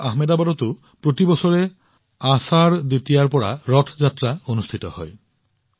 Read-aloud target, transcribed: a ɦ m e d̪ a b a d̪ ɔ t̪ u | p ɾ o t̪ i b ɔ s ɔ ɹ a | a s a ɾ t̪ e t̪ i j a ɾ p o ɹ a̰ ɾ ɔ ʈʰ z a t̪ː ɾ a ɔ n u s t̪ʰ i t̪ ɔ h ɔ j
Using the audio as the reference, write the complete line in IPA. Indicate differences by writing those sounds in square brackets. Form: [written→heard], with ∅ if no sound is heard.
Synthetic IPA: a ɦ m e d̪ a b a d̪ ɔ t̪ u | p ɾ o t̪ i b ɔ s ɔ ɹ [a→e] | a s a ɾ [t̪→d̪] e t̪ i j a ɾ p [o→ɔ] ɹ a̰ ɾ ɔ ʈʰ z a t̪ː ɾ a [ɔ→o] n u s t̪ʰ i t̪ ɔ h ɔ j